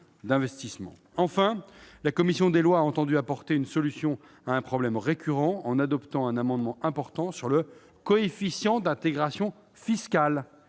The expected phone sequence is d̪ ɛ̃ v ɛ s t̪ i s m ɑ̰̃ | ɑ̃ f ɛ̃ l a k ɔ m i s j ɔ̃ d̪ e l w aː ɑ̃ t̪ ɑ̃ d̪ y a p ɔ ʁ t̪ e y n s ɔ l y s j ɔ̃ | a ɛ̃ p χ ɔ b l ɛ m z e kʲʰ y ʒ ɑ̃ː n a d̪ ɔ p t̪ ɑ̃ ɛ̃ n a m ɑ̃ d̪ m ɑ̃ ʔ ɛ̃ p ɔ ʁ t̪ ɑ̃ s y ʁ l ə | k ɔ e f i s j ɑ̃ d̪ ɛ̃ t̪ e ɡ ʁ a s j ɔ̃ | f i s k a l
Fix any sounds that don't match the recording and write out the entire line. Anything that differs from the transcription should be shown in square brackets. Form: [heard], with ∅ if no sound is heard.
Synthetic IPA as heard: d̪ ɛ̃ v ɛ s t̪ i s m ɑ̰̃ | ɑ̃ f ɛ̃ l a k ɔ m i s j ɔ̃ d̪ e l w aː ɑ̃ t̪ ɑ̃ d̪ y a p ɔ ʁ t̪ e y n s ɔ l y s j ɔ̃ | a ɛ̃ p χ ɔ b l ɛ m [ʁ] e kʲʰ y [ʁ] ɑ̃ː n a d̪ ɔ p t̪ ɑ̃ ɛ̃ n a m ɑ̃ d̪ m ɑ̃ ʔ ɛ̃ p ɔ ʁ t̪ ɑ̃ s y ʁ l ə | k ɔ e f i s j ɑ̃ d̪ ɛ̃ t̪ e ɡ ʁ a s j ɔ̃ | f i s k a l